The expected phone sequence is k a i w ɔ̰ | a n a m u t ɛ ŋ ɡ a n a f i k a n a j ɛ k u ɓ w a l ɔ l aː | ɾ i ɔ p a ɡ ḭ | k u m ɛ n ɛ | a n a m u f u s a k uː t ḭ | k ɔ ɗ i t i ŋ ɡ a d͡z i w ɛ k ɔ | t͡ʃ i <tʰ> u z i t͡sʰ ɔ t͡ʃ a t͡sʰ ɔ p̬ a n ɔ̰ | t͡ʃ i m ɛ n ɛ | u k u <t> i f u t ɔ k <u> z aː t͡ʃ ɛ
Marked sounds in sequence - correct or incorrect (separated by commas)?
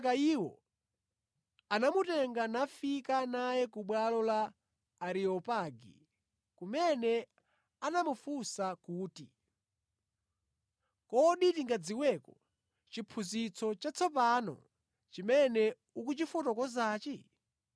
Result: incorrect, incorrect, incorrect